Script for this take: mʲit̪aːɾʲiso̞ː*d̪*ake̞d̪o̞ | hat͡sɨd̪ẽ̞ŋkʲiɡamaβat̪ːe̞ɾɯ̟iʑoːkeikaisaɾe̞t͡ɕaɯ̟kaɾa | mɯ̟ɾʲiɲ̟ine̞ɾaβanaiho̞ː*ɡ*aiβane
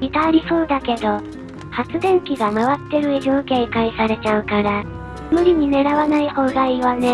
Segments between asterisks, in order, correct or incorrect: correct, correct

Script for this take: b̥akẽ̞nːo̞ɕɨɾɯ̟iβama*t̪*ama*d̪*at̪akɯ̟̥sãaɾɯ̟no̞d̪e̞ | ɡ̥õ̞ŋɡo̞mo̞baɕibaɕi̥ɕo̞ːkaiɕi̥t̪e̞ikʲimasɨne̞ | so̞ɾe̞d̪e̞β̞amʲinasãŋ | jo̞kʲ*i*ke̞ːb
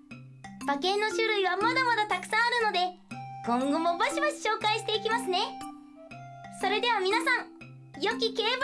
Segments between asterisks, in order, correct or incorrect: incorrect, correct, correct

